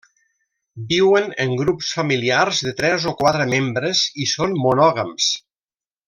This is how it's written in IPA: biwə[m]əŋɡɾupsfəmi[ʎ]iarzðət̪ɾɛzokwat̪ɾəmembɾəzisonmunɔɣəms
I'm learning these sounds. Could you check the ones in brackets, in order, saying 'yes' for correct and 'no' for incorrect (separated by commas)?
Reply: no, no